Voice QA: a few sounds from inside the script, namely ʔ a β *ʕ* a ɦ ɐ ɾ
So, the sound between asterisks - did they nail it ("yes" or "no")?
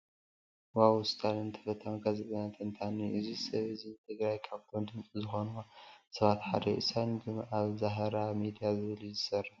no